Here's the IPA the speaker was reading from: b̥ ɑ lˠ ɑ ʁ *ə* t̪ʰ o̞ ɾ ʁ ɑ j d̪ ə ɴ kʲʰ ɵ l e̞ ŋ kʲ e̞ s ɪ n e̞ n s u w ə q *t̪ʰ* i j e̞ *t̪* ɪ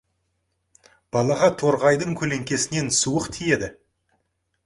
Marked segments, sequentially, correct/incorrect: incorrect: ɑ, correct, incorrect: d̪

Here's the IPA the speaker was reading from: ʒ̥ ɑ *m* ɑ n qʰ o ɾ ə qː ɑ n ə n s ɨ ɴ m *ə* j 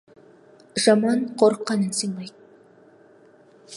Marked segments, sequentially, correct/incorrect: correct, incorrect: ɑ

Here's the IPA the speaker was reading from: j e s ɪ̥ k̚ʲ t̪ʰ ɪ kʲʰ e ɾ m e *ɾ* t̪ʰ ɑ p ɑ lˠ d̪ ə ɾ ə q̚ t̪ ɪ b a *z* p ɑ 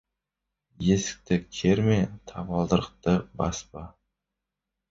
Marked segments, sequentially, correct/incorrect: incorrect: none, incorrect: s

